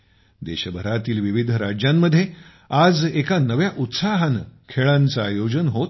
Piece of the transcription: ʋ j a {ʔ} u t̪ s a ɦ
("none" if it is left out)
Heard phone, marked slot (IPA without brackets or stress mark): ʔ